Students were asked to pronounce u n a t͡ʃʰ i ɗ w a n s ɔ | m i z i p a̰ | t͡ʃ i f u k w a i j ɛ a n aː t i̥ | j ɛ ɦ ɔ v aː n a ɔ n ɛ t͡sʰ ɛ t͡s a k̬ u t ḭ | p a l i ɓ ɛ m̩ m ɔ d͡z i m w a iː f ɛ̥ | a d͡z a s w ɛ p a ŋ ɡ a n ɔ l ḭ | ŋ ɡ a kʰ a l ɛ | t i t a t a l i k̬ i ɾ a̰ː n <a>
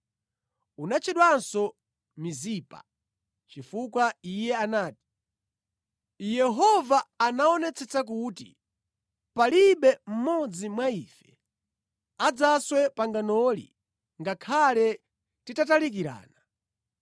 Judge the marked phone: correct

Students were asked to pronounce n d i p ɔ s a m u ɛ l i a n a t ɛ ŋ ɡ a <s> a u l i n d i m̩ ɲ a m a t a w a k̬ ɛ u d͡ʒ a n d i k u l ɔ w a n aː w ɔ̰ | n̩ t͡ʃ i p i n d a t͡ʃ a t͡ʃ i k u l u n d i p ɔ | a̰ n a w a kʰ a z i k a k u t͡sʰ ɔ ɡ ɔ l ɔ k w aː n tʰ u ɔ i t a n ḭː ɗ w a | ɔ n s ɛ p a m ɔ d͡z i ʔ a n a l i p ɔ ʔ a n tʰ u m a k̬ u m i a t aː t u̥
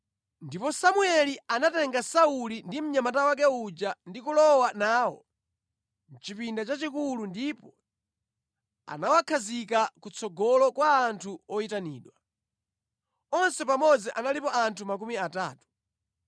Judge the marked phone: correct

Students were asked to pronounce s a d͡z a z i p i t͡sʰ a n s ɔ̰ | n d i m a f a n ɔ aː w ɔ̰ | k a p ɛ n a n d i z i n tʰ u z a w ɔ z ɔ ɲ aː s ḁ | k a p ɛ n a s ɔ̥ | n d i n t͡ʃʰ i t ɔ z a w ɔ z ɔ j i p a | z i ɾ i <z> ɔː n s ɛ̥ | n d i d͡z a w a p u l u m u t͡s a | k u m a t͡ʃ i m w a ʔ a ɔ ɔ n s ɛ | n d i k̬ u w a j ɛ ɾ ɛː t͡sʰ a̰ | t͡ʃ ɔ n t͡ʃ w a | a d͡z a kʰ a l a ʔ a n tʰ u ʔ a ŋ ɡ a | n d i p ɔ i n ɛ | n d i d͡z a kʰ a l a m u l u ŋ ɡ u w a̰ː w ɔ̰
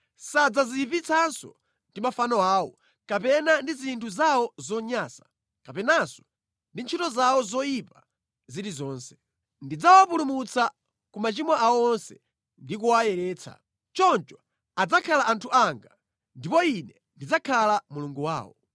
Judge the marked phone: correct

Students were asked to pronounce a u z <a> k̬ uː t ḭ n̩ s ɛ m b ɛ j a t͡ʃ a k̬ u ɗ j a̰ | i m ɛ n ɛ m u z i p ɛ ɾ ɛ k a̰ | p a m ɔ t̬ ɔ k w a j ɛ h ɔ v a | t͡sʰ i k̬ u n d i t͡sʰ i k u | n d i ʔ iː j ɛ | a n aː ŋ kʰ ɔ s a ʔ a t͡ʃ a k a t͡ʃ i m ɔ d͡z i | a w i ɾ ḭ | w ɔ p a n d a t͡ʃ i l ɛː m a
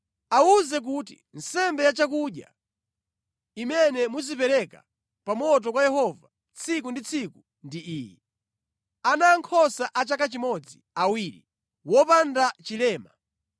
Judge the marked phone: incorrect: ɛ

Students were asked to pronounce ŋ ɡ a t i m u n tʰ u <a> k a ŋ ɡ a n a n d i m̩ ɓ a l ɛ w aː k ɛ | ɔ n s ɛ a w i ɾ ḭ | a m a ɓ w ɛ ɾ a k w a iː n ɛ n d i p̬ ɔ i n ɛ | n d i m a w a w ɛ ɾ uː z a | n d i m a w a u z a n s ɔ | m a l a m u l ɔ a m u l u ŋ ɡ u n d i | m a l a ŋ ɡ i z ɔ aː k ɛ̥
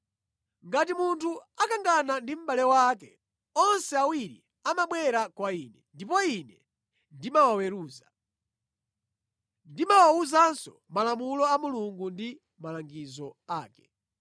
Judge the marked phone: correct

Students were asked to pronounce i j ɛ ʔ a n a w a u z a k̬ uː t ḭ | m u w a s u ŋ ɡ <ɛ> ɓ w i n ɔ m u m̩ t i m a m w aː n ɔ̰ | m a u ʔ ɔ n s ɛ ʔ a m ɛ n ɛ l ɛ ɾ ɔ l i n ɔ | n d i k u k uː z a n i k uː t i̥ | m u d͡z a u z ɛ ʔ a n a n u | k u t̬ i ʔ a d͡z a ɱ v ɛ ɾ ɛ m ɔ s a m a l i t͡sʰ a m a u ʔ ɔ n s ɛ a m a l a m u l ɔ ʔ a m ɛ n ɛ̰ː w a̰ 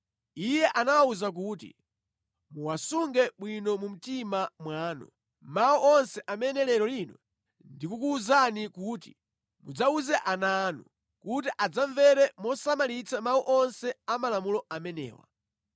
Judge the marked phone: correct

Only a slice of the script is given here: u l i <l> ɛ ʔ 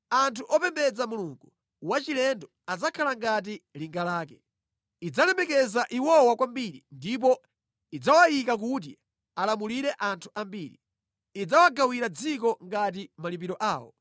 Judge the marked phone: incorrect: ɾ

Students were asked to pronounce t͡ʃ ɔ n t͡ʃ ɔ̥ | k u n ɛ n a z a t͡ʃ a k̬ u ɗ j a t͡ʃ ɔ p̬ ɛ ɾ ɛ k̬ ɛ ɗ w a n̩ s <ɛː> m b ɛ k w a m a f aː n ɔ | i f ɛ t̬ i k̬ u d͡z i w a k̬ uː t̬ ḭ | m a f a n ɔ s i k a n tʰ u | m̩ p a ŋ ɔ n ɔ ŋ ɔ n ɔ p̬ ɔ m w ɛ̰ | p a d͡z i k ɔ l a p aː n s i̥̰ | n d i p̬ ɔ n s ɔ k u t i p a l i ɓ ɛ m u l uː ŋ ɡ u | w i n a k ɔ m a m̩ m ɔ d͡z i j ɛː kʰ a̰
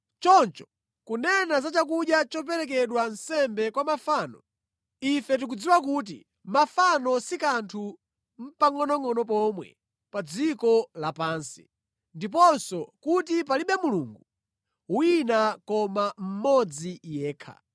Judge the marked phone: incorrect: ɛ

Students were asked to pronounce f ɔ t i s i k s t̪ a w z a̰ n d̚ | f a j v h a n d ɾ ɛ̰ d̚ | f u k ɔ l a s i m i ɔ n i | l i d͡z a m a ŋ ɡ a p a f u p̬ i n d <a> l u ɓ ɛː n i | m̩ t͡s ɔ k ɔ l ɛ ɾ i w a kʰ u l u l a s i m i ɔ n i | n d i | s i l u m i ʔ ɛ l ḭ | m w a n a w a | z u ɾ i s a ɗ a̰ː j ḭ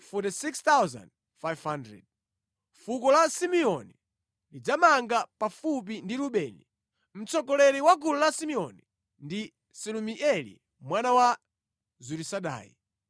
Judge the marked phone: incorrect: i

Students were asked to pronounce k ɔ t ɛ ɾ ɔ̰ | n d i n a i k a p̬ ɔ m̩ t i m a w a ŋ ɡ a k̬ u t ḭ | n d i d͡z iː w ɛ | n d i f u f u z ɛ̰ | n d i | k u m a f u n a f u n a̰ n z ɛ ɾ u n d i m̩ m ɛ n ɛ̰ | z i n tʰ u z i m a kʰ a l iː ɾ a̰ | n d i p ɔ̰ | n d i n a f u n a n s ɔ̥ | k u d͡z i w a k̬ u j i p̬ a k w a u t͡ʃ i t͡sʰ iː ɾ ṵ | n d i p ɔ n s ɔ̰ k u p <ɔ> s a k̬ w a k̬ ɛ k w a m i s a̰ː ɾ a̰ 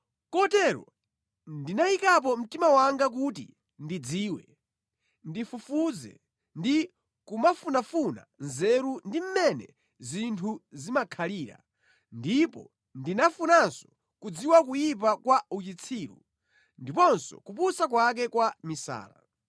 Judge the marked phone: incorrect: u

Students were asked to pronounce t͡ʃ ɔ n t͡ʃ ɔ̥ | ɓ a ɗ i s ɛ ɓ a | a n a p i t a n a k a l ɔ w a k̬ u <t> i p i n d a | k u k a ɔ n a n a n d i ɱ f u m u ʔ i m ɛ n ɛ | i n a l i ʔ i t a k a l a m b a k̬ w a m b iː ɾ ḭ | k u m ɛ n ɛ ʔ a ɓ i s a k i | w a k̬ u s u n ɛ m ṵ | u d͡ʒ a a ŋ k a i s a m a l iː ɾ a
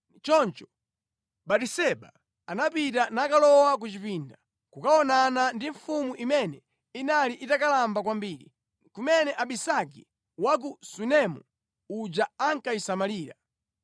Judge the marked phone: incorrect: t͡ʃ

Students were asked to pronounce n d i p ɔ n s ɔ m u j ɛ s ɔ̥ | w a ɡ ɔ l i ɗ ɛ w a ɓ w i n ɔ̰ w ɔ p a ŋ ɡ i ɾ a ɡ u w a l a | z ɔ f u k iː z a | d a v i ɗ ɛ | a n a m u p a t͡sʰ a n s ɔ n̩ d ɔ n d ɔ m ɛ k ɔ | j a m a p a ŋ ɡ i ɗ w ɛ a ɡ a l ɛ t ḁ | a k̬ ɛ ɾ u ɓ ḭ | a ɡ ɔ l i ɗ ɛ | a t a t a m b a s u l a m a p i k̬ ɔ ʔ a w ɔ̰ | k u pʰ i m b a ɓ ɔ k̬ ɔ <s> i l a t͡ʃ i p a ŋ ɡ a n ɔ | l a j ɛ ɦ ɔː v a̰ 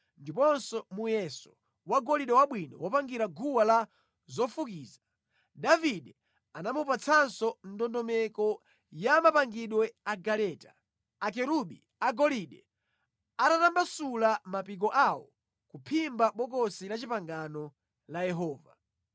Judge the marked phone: correct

